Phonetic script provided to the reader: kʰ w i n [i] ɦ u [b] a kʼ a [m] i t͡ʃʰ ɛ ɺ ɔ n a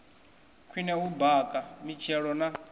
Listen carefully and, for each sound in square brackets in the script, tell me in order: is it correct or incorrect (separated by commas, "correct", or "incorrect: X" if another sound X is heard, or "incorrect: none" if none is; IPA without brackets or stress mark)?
incorrect: ɛ, correct, correct